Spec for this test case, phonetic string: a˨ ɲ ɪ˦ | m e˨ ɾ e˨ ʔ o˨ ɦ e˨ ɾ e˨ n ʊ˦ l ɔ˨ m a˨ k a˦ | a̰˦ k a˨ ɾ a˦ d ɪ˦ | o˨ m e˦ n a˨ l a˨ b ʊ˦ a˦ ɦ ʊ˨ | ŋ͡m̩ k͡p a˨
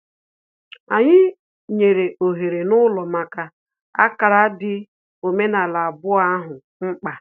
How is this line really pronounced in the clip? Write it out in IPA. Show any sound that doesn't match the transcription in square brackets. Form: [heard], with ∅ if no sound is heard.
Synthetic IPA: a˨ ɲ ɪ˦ | [ɲ] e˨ ɾ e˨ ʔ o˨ ɦ e˨ ɾ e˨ n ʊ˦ l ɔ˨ m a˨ k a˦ | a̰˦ k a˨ ɾ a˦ d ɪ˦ | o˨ m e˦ n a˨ l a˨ b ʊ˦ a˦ ɦ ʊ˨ | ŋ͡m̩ k͡p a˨